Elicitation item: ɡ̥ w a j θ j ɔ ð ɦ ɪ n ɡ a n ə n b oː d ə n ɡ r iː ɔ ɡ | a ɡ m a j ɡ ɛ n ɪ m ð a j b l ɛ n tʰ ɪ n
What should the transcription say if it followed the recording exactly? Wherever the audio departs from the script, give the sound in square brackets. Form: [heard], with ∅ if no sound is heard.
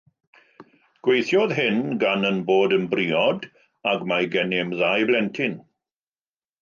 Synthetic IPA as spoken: ɡ̥ w [e] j θ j ɔ ð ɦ ɪ n ɡ a n ə n b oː d ə n [b] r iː ɔ [d] | a ɡ m a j ɡ ɛ n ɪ m ð a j b l ɛ n tʰ ɪ n